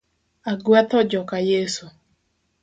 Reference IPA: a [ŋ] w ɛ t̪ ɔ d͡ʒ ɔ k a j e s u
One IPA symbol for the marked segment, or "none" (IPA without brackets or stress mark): ɡ